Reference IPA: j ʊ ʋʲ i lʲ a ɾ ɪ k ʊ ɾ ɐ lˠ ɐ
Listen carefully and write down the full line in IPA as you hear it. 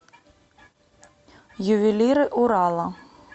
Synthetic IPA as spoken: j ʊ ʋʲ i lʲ i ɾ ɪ ʔ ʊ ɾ ɑ lˠ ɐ